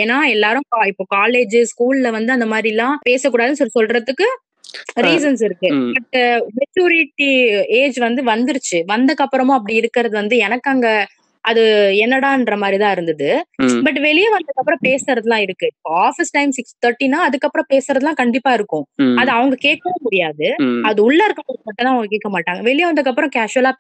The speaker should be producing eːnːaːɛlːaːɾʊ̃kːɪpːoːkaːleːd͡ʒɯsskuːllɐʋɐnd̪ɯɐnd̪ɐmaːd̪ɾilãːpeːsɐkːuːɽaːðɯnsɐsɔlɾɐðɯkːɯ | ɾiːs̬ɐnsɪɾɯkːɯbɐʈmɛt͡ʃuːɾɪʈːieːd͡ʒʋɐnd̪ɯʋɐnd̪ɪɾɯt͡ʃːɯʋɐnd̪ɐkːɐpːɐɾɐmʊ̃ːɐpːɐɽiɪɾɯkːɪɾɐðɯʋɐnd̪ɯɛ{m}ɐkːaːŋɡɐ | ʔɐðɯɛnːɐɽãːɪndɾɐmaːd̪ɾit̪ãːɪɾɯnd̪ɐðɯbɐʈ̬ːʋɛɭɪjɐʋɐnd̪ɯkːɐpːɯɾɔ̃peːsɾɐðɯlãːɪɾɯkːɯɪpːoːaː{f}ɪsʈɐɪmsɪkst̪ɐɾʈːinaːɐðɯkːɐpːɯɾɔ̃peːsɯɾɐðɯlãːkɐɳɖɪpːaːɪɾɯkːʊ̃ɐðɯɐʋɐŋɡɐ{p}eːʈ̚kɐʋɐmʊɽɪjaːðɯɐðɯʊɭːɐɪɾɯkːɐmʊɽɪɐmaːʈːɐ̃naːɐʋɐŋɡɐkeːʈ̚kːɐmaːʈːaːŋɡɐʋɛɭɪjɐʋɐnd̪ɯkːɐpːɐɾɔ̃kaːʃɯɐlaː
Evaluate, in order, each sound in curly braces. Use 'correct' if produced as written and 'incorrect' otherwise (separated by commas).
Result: incorrect, correct, incorrect